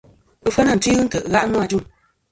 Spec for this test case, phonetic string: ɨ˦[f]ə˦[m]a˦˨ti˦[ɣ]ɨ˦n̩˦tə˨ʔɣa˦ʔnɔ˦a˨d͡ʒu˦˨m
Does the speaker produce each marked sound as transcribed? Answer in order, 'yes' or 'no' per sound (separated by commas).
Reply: yes, no, yes